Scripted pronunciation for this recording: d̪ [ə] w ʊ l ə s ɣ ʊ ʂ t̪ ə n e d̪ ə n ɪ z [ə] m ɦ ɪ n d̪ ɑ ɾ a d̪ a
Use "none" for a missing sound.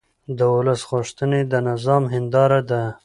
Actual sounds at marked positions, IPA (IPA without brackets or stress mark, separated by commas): ə, ɑ